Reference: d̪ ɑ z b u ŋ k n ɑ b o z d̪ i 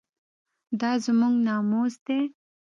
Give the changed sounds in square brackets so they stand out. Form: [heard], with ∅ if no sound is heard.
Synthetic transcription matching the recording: d̪ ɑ z [m] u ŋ [ɡ] n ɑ [m] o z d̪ [e]